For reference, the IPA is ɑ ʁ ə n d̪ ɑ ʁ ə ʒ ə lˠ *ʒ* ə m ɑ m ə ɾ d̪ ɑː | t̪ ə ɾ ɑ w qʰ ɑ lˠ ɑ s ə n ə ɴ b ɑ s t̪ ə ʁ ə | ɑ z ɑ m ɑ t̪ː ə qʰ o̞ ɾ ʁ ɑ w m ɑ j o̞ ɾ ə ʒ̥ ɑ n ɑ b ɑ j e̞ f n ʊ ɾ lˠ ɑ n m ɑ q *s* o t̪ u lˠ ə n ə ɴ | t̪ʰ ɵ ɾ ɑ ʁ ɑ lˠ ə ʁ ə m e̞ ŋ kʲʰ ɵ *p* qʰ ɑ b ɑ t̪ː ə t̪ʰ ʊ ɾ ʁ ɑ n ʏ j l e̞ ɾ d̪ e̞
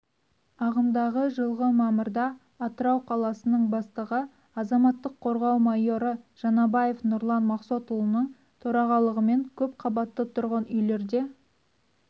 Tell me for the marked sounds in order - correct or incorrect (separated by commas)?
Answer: incorrect, correct, correct